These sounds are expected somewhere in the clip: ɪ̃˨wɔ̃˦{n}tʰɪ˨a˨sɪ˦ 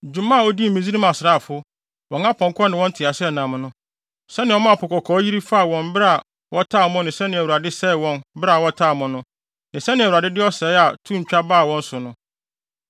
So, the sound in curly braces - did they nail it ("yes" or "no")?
yes